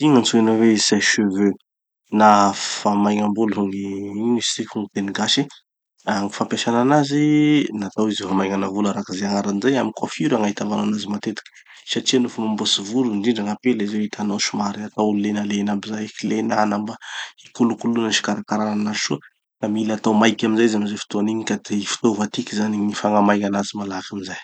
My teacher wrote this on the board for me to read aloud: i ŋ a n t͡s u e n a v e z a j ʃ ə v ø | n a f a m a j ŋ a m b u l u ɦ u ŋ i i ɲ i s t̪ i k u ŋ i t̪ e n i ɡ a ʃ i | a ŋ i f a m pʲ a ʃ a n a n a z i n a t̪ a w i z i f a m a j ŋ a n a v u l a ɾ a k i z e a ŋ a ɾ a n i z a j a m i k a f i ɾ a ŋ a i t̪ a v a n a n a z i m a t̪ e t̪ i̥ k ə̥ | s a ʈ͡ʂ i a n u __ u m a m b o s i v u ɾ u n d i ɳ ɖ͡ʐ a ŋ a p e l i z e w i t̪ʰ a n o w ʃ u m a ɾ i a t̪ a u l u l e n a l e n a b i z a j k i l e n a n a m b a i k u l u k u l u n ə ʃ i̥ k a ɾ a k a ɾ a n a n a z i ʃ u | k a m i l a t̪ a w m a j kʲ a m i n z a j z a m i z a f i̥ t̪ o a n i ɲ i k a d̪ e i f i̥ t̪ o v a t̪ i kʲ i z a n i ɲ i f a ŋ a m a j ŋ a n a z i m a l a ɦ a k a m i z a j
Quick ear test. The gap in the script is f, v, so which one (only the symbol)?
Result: f